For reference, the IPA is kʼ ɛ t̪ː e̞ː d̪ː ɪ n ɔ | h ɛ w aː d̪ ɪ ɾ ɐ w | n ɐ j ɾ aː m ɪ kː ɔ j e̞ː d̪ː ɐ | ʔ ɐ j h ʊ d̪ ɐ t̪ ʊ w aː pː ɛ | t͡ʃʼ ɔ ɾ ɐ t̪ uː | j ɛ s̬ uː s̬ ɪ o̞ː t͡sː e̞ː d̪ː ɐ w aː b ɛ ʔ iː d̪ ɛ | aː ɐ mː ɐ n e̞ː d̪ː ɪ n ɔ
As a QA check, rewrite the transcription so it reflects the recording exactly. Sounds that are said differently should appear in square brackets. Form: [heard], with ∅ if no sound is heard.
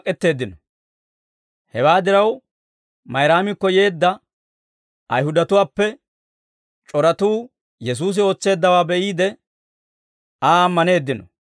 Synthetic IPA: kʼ ɛ t̪ː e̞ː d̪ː ɪ n ɔ | h ɛ w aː d̪ ɪ ɾ ɐ w | [m] ɐ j ɾ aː m ɪ kː ɔ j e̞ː d̪ː ɐ | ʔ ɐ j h ʊ d̪ ɐ t̪ ʊ w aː pː ɛ | t͡ʃʼ ɔ ɾ ɐ t̪ uː | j ɛ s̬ uː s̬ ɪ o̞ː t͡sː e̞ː d̪ː ɐ w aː b ɛ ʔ iː d̪ ɛ | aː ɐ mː ɐ n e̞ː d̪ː ɪ n ɔ